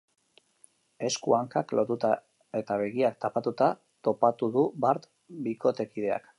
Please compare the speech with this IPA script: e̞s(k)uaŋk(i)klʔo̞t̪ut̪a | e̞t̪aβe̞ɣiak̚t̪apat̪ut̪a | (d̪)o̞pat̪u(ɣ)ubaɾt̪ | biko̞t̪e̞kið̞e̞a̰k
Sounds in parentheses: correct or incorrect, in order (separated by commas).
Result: correct, incorrect, incorrect, incorrect